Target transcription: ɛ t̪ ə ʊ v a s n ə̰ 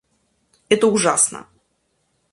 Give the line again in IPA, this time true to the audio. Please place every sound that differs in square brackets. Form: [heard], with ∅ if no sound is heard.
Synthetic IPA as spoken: ɛ t̪ ə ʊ [ʐ] a s n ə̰